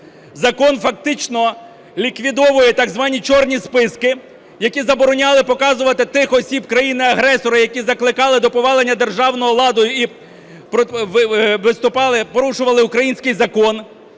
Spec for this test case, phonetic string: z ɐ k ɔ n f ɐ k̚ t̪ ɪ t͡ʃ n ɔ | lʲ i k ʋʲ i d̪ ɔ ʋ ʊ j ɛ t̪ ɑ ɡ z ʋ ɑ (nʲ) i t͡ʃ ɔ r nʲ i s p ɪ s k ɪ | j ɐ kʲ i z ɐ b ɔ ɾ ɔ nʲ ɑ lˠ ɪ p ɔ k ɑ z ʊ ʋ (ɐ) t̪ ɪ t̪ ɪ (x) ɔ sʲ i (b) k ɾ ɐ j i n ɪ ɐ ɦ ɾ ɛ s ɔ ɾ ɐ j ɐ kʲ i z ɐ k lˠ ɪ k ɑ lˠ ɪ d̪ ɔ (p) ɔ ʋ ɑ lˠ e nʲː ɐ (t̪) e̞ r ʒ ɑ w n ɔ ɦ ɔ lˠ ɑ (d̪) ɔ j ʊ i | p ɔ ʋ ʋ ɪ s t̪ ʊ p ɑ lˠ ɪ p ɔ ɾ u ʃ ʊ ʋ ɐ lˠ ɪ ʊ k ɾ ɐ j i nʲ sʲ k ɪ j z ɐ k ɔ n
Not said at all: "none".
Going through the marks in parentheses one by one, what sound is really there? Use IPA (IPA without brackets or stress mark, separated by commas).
nʲ, ɐ, x, b, p, d̪, d̪